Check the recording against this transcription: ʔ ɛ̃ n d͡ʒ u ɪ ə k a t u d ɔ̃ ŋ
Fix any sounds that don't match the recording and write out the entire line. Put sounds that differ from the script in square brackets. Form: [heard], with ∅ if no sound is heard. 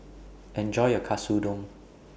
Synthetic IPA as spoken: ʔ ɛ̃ n d͡ʒ [ɔ] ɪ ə [kʰ] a [s] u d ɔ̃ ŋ